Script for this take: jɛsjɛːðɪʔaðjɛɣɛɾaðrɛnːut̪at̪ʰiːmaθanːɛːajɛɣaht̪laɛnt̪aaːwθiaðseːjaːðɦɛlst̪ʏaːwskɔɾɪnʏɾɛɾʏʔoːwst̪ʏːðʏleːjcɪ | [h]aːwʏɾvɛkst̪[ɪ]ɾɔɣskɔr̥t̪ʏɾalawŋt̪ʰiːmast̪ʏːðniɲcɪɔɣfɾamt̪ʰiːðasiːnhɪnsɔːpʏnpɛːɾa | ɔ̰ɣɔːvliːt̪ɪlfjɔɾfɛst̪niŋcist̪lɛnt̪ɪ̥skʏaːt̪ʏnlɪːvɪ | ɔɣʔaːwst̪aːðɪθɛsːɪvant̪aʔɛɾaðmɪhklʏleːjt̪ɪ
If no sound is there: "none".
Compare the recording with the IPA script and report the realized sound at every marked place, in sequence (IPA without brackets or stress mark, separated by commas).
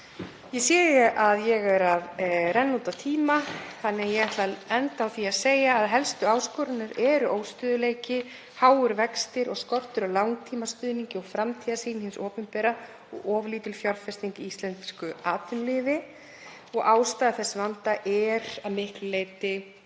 h, ɪ